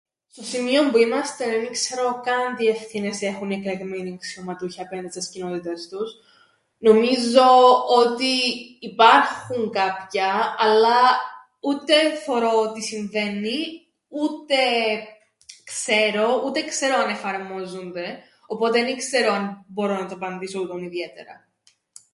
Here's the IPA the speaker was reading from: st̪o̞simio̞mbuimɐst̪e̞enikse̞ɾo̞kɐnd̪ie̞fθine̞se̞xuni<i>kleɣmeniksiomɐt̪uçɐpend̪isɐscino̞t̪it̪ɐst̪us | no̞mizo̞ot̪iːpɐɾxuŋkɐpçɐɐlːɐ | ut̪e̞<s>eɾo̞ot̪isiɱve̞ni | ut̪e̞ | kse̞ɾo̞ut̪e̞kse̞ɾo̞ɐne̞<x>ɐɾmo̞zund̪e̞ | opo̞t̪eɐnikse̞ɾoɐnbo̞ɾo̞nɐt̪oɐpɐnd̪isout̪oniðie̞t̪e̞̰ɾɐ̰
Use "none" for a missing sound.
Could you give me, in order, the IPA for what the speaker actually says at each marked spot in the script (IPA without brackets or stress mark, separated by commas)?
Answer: e, θ, f